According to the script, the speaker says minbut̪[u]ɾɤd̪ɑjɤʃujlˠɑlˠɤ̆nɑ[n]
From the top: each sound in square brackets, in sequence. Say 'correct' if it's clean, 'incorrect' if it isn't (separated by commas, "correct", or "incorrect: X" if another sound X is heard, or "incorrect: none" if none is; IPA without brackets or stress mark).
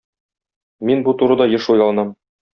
correct, incorrect: m